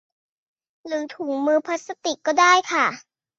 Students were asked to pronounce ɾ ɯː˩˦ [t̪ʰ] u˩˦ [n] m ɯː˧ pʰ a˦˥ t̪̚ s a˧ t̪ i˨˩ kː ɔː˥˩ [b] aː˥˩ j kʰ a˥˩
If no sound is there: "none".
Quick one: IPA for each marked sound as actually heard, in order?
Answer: t̪ʰ, ŋ, d

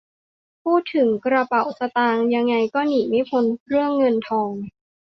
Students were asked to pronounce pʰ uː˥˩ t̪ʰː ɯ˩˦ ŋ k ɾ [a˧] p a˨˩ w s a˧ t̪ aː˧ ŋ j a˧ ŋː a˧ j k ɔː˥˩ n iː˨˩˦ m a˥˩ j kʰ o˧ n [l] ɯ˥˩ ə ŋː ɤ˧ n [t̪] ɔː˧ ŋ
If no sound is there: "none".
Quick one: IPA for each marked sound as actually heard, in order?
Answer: a˧, ɾ, t̪ʰ

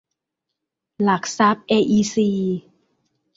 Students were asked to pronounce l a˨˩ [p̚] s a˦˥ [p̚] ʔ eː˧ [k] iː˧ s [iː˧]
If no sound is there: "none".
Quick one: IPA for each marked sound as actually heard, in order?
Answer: k̚, p̚, ʔ, iː˧

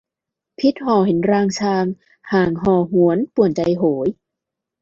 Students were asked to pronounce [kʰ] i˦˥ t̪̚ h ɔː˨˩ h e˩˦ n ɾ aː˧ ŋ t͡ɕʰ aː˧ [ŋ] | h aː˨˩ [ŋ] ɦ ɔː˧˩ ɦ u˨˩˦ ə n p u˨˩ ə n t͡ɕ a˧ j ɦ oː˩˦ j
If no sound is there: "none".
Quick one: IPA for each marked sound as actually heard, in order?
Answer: pʰ, ŋ, ŋ

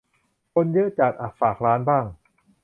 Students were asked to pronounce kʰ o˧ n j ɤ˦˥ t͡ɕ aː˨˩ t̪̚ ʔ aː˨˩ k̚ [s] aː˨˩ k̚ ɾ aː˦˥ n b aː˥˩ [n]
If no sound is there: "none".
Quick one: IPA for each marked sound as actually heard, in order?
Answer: f, ŋ

